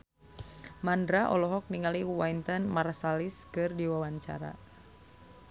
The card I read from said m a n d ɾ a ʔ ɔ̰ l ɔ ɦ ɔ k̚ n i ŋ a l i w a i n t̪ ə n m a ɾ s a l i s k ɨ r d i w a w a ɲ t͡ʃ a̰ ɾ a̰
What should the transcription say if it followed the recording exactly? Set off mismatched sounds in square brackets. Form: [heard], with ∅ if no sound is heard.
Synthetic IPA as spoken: m a n d ɾ a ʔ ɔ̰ l ɔ ɦ ɔ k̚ n i ŋ a l i w a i n t̪ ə n m a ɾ s a l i s k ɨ r d i w a w a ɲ t͡ʃ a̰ ɾ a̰